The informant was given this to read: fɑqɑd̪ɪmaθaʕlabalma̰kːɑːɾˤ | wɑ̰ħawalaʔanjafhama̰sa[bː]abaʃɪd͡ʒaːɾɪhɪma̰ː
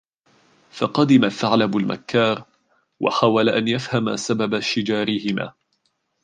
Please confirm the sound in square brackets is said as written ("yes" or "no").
no